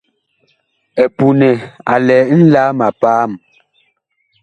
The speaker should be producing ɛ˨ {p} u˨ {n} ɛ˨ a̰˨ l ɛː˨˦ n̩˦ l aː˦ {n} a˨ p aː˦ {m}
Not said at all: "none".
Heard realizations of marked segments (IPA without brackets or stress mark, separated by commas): p, n, m, m